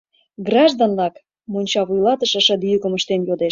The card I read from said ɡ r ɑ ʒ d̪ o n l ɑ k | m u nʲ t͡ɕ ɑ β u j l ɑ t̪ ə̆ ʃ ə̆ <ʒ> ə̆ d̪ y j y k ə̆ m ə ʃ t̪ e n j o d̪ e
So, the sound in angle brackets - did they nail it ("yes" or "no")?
no